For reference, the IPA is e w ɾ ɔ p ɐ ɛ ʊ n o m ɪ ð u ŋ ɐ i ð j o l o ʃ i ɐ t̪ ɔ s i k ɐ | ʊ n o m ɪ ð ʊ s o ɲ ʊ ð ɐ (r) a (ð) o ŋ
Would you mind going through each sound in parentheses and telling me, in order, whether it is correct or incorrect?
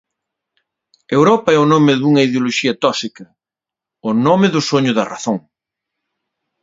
correct, incorrect

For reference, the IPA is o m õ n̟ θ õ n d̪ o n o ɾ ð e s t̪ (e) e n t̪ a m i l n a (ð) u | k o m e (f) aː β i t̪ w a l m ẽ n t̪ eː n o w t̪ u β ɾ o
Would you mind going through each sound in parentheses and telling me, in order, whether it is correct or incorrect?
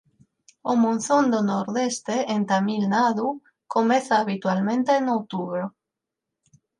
correct, correct, incorrect

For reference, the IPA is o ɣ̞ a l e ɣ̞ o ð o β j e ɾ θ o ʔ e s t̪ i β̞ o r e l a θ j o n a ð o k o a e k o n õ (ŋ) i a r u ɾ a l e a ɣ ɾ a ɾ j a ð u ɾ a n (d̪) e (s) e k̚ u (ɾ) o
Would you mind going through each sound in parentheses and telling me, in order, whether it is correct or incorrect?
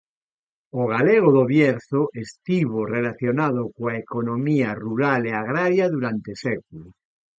incorrect, incorrect, correct, incorrect

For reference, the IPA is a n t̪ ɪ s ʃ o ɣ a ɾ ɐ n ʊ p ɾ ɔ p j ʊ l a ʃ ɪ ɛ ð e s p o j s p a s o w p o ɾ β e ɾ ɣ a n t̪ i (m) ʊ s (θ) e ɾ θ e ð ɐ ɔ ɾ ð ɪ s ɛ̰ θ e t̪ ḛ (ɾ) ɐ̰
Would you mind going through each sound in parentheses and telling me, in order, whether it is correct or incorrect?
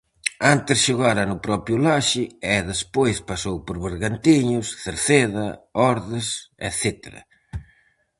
incorrect, correct, correct

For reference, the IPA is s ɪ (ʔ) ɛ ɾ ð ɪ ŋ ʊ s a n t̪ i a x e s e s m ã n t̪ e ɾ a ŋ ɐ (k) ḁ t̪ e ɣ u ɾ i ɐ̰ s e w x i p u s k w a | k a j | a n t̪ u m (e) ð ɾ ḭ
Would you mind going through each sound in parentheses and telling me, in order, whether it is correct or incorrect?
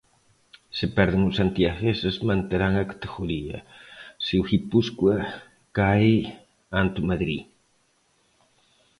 incorrect, correct, incorrect

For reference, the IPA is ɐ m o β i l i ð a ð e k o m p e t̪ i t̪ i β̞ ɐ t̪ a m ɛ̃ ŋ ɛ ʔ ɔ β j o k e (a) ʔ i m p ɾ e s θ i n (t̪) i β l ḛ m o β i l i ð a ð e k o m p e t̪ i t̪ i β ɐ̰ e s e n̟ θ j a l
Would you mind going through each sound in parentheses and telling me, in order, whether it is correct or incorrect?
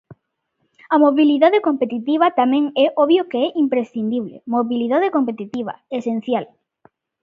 incorrect, incorrect

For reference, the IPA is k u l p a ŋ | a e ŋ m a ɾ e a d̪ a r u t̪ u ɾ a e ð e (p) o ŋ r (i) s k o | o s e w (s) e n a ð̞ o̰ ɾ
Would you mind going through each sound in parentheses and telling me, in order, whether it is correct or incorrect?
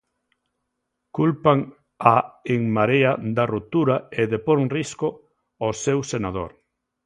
correct, correct, correct

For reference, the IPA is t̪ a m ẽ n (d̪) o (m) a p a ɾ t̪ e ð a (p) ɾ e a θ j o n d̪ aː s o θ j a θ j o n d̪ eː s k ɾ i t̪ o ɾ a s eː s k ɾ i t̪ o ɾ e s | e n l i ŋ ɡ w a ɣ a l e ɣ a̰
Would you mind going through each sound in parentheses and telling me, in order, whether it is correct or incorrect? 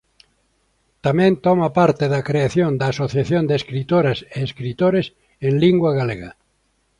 incorrect, correct, incorrect

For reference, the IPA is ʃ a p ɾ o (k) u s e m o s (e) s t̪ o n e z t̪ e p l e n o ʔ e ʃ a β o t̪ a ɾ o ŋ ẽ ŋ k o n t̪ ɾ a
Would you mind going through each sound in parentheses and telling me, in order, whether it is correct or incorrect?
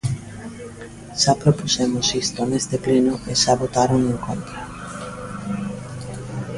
incorrect, incorrect

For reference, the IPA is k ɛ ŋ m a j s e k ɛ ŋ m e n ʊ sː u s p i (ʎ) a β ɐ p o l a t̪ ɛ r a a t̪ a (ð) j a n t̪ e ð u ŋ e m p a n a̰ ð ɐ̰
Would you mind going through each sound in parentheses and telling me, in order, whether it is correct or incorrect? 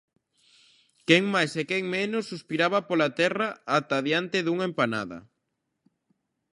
incorrect, correct

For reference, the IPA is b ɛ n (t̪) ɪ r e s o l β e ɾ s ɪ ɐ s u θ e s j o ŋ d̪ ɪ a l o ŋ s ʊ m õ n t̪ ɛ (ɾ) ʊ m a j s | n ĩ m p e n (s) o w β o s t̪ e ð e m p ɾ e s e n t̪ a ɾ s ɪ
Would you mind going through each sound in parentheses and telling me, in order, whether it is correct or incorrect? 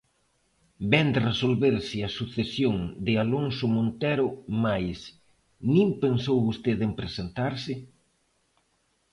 incorrect, correct, correct

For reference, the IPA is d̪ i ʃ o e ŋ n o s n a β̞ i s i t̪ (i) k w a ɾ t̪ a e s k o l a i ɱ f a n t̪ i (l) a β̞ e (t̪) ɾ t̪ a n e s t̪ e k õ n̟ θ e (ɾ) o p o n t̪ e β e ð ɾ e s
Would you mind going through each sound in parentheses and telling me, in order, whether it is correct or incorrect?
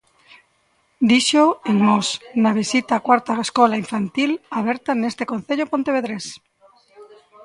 incorrect, correct, incorrect, incorrect

